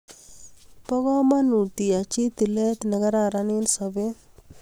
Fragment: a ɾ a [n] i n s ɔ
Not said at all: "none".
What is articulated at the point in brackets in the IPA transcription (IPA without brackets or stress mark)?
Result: n